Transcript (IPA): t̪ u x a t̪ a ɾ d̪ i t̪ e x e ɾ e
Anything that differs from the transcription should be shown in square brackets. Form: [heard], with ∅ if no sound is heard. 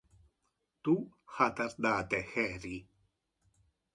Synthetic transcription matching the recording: t̪ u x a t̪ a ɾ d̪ [a] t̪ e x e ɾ [i]